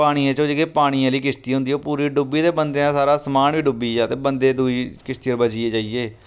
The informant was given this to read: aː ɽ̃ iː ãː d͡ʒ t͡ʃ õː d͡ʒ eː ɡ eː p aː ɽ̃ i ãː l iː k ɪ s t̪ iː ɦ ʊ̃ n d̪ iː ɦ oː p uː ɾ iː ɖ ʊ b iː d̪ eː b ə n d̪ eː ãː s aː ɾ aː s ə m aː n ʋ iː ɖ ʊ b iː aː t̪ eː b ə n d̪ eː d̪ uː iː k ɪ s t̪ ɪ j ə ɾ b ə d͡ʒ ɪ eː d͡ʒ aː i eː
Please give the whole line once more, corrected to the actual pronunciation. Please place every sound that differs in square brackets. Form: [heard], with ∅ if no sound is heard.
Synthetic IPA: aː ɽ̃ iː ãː [∅] t͡ʃ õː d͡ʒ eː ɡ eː p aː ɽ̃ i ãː l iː k ɪ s t̪ iː ɦ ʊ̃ n d̪ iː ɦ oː p uː ɾ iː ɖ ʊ b iː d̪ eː b ə n d̪ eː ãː s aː ɾ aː s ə m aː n ʋ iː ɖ ʊ b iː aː t̪ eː b ə n d̪ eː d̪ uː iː k ɪ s t̪ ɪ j ə ɾ b ə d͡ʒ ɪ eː d͡ʒ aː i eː